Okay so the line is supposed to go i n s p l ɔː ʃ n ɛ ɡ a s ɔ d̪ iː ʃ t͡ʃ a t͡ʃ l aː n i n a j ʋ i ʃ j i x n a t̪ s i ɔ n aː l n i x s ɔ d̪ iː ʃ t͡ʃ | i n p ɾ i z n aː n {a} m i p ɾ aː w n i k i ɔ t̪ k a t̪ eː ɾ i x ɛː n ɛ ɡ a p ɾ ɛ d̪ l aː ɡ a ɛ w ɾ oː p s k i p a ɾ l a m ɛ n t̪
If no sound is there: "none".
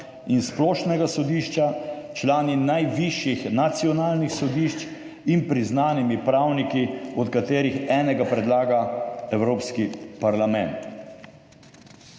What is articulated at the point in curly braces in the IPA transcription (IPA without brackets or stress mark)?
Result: i